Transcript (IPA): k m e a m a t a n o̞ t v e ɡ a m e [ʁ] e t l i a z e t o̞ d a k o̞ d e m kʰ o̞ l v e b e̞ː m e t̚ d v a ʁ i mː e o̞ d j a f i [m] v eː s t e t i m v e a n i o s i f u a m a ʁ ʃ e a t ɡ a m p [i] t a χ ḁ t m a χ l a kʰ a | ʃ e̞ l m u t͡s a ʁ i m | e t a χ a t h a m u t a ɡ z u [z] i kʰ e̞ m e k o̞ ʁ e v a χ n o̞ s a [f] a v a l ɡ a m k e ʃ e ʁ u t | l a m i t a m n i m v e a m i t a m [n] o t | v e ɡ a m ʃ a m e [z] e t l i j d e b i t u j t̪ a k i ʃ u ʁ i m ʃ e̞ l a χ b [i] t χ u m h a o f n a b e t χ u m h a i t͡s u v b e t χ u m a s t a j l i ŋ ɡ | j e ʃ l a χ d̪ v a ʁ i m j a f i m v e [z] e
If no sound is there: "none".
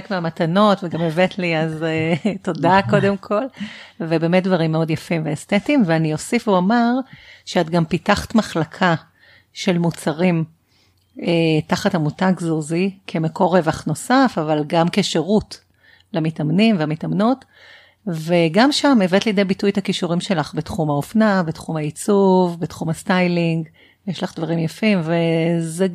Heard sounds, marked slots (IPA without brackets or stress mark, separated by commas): v, m, i, z, f, n, v, e, z